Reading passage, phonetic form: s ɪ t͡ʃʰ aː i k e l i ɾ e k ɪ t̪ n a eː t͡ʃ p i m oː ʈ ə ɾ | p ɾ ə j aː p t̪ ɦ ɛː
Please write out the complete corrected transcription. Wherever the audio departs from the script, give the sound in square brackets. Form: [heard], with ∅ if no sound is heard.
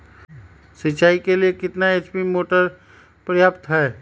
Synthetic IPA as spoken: s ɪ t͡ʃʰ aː i k e l i [∅] e k ɪ t̪ n a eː t͡ʃ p i m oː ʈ ə ɾ | p ɾ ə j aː p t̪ ɦ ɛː